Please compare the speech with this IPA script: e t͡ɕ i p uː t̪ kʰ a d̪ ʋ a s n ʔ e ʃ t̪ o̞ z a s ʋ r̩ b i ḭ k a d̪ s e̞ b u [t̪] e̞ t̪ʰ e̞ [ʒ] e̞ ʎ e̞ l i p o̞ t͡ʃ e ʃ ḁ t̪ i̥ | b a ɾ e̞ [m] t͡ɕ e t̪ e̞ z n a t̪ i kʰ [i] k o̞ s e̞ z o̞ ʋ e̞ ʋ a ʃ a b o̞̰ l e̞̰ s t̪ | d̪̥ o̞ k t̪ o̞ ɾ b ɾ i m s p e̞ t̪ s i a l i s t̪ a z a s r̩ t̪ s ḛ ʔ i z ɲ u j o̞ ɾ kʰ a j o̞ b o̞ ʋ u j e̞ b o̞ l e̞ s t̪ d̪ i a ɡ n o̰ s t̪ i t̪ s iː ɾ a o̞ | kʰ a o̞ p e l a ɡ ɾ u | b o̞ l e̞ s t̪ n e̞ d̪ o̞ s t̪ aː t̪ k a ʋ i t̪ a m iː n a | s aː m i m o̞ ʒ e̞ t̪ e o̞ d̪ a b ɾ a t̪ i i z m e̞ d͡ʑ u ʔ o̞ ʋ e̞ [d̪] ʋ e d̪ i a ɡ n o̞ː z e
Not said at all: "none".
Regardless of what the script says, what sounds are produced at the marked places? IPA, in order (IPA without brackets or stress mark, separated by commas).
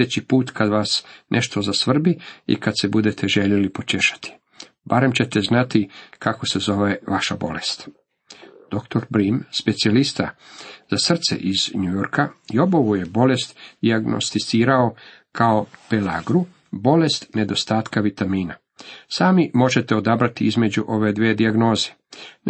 d̪, ʒ, m, a, d̪